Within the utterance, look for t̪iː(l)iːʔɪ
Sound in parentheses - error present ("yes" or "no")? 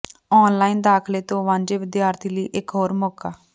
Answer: no